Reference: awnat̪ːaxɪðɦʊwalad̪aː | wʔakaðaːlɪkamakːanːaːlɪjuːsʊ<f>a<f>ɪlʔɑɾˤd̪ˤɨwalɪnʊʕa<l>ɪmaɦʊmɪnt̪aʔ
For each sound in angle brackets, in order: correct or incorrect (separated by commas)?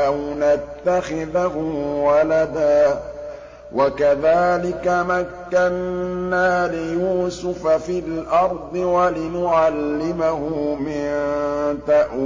correct, correct, incorrect